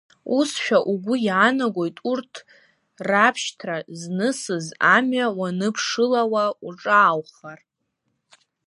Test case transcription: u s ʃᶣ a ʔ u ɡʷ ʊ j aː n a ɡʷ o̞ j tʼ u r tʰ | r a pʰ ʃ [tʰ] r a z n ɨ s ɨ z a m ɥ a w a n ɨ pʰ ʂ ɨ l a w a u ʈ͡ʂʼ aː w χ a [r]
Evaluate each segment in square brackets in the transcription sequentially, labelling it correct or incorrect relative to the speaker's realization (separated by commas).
correct, correct